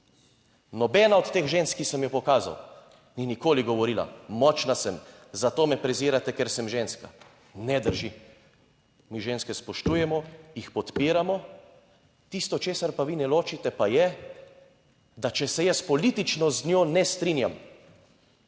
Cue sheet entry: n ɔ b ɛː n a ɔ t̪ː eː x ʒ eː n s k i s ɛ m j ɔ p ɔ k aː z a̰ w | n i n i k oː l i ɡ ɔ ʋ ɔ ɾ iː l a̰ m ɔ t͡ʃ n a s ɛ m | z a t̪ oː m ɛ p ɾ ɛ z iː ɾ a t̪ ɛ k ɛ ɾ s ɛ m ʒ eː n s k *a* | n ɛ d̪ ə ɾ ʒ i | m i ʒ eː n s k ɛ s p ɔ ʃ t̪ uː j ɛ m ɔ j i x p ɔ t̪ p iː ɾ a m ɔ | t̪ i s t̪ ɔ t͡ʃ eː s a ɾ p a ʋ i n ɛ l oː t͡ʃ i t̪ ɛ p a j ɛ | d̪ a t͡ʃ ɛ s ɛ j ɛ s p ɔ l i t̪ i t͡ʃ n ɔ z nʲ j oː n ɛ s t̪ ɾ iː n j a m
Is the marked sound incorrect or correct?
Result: correct